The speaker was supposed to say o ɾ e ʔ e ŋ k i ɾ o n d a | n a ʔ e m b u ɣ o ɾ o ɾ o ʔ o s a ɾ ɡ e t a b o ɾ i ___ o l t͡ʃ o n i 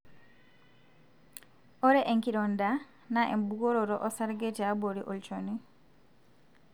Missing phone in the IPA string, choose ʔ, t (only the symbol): ʔ